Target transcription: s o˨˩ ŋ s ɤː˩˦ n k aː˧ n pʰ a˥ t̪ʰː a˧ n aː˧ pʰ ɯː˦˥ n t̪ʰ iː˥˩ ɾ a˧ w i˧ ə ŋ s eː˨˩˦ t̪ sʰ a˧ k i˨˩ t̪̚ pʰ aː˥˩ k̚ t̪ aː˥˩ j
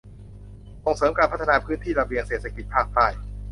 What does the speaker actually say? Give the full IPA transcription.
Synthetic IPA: s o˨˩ ŋ s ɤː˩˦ m k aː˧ n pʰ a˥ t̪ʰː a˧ n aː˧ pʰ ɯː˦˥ n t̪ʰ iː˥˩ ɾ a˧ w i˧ ə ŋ s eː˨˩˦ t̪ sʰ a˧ k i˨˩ t̪̚ pʰ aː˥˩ k̚ t̪ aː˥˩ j